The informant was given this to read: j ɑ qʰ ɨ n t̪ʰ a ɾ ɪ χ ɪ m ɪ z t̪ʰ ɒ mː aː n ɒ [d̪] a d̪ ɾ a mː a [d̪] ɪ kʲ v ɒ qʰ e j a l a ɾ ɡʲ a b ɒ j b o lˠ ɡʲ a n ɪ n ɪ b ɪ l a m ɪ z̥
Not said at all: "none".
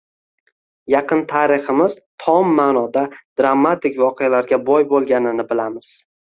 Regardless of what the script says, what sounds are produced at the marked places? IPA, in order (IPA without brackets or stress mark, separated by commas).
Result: d̪, t̪